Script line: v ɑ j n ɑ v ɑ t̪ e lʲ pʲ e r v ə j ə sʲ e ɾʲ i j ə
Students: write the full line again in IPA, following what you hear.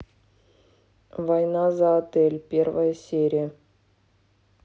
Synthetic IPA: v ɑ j n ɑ z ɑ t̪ e lʲ pʲ e r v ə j ə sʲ e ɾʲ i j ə